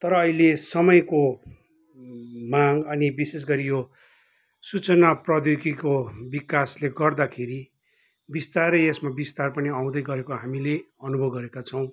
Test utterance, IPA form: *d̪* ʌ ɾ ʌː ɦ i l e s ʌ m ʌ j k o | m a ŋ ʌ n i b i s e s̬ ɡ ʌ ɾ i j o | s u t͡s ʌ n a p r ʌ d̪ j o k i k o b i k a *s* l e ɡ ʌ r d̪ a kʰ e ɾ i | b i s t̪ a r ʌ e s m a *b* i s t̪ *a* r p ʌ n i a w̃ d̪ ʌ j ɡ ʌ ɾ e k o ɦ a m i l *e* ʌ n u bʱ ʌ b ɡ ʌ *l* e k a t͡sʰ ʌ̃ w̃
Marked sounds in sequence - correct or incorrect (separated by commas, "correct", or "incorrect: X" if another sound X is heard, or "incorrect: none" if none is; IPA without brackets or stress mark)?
incorrect: t̪, correct, correct, correct, correct, incorrect: ɾ